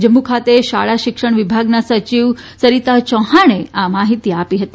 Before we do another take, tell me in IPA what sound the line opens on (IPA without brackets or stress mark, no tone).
d͡ʒ